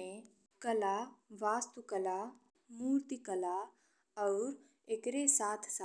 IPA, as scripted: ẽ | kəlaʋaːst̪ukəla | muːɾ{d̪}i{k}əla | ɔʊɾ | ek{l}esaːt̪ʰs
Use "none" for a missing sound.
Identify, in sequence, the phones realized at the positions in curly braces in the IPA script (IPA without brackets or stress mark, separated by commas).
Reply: t̪, k, ɾ